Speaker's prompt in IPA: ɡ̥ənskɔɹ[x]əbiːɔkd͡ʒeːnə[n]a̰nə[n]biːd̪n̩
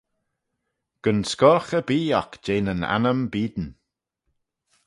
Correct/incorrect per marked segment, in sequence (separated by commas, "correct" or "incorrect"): correct, correct, incorrect